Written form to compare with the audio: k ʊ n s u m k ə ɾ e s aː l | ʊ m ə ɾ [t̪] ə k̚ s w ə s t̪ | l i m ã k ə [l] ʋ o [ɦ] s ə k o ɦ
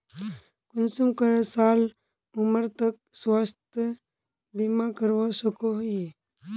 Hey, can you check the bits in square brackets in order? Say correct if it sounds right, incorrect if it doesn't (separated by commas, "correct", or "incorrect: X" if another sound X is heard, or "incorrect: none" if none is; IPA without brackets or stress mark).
correct, incorrect: ɾ, incorrect: none